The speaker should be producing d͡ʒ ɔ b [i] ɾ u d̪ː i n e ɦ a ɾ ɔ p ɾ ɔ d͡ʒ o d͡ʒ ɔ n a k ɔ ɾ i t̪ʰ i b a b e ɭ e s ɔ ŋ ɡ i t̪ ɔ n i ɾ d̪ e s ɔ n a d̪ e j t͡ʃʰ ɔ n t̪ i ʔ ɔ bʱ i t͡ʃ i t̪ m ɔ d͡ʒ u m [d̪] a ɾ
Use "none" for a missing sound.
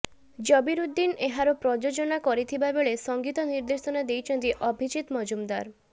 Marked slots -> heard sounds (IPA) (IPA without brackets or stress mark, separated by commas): i, d̪